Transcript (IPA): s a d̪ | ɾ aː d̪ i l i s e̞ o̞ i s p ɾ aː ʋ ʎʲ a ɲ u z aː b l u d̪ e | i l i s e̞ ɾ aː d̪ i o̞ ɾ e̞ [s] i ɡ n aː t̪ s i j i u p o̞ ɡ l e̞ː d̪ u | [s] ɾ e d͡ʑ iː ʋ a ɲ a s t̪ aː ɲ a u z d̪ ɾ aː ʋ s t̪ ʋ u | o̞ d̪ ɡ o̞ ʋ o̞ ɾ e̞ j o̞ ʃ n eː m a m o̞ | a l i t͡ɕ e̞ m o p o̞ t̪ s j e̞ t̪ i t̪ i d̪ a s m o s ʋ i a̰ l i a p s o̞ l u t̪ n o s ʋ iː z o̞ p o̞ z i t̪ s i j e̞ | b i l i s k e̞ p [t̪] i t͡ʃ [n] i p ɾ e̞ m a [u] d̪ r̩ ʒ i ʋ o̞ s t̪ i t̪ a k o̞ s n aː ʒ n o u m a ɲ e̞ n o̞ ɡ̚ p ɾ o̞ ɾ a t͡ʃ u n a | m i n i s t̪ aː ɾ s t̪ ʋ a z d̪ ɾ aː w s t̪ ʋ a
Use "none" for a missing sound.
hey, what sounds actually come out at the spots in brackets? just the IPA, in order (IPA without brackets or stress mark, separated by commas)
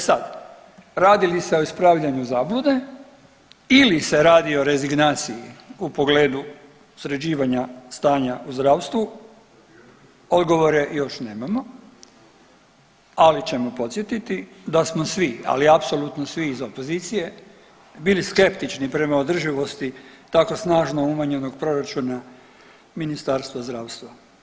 z, s, t̪, n, o